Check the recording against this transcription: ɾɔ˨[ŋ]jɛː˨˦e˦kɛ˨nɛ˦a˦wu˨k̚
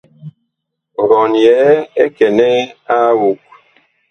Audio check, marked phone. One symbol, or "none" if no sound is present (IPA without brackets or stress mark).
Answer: n